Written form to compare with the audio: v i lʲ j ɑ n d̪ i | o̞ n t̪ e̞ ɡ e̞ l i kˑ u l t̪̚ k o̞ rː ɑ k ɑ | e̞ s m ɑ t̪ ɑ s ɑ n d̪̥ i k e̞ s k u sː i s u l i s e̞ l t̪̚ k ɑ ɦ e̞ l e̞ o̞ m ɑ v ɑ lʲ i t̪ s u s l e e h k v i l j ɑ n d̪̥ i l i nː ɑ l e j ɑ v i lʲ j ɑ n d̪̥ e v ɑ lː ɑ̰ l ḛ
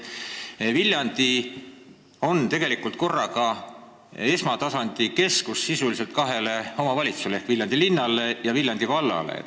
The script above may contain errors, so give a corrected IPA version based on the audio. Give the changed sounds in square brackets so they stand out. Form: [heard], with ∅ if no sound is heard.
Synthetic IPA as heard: v i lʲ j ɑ n d̪ i | o̞ n t̪ e̞ ɡ e̞ l i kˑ u l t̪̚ k o̞ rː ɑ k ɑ | e̞ s m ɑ t̪ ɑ s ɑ n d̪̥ i k e̞ s k u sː i s u l i s e̞ l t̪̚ k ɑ ɦ e̞ l e̞ o̞ m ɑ v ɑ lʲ i t̪ s u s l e e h k v i l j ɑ n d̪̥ i l i nː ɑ l e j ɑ v i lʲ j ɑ n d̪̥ [i] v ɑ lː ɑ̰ l ḛ